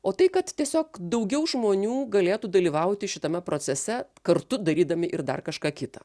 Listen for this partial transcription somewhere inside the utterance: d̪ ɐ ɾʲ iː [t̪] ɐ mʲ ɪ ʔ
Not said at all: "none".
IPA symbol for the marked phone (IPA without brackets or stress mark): d̪